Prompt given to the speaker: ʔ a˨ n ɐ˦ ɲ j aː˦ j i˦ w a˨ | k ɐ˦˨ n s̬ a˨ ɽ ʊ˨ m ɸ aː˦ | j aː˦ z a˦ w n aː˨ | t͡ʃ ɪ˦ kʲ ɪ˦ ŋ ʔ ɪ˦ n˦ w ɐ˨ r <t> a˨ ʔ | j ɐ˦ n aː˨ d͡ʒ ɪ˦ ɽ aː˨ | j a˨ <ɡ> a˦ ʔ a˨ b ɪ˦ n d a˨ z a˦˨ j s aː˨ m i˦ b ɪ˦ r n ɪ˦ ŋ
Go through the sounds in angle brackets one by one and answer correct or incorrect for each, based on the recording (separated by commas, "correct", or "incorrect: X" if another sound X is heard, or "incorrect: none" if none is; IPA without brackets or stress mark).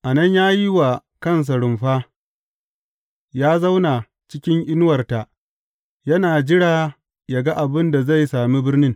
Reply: correct, correct